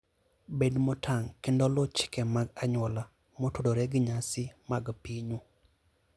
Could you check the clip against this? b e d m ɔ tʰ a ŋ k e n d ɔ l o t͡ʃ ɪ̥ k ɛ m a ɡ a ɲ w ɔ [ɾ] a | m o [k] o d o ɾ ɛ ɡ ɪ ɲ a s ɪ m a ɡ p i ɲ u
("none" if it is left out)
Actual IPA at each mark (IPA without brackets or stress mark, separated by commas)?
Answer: l, t